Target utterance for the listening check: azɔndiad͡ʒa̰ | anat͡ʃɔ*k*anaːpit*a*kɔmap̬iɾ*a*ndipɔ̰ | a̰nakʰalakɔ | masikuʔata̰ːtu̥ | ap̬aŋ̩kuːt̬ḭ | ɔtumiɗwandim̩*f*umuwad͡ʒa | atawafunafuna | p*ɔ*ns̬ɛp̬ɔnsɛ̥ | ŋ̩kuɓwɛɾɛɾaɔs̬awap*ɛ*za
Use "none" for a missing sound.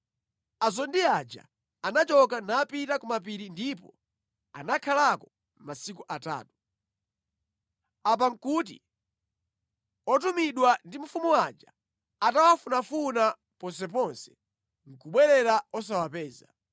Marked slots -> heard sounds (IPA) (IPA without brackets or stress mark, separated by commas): k, a, i, f, ɔ, ɛː